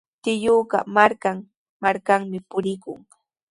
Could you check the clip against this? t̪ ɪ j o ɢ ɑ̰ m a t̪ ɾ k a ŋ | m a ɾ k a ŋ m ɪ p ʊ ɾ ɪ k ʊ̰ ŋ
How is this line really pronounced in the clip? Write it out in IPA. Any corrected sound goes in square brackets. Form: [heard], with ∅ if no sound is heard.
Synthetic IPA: t̪ ɪ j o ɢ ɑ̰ m a [∅] ɾ k a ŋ | m a ɾ k a ŋ m ɪ p ʊ ɾ ɪ k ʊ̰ ŋ